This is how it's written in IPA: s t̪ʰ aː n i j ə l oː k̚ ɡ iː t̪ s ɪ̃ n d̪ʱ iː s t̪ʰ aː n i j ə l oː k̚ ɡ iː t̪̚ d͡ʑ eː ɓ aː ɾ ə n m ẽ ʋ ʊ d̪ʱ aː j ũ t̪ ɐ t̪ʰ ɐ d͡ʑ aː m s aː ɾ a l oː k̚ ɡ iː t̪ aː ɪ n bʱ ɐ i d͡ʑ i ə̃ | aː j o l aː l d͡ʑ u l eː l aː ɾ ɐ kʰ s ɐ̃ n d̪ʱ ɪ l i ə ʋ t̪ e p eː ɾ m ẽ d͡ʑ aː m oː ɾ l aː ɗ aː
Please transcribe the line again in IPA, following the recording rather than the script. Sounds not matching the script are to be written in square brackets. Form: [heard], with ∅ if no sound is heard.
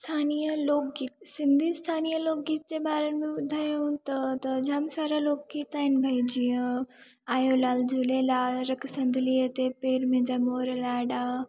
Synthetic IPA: s t̪ʰ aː n i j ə l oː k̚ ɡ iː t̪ s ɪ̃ n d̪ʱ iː s t̪ʰ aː n i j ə l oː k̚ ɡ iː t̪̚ d͡ʑ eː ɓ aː ɾ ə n m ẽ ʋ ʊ d̪ʱ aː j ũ t̪ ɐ [t̪] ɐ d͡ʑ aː m s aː ɾ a l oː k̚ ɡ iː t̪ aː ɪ n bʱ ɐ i d͡ʑ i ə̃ | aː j o l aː l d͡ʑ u l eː l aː ɾ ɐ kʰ s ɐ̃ n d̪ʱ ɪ l i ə [∅] t̪ e p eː ɾ m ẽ d͡ʑ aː m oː ɾ l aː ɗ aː